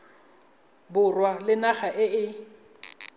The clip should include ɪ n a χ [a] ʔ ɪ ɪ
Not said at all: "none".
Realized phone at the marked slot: a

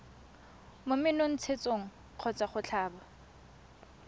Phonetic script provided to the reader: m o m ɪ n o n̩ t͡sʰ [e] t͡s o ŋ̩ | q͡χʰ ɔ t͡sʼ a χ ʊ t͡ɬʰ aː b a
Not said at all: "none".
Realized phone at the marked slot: e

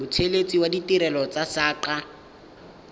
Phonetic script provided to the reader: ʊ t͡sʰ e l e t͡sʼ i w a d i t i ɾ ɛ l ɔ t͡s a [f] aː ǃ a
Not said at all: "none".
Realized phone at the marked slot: s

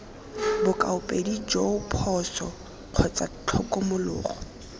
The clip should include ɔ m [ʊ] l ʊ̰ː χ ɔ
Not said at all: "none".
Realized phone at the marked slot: ʊ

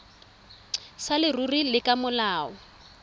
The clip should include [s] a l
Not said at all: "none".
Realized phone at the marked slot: s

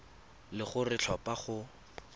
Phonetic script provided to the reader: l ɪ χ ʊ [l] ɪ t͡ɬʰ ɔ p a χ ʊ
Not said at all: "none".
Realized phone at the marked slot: r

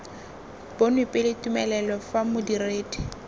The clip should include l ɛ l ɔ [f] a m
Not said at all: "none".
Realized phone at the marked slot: f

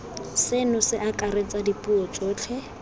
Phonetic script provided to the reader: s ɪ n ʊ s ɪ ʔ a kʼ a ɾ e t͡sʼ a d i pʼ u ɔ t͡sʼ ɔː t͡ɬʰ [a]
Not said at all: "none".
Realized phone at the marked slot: ɛ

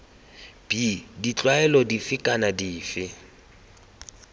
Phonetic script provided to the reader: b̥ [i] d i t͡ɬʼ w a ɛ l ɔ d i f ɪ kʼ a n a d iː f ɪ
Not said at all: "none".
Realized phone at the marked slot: i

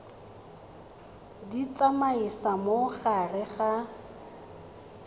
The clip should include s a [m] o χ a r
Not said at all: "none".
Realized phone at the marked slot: m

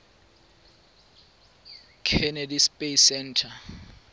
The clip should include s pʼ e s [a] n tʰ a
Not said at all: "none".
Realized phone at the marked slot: ɛ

